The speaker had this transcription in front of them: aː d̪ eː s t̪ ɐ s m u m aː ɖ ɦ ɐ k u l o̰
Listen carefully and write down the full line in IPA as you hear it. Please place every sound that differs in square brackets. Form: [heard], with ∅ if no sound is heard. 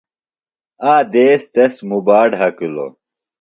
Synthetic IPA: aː d̪ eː s t̪ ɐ s m u [b] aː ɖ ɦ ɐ k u l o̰